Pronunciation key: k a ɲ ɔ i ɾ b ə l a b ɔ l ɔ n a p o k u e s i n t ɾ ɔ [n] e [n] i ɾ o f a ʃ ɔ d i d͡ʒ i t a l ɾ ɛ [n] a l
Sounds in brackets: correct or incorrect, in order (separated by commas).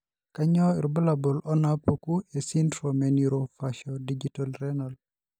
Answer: incorrect, correct, correct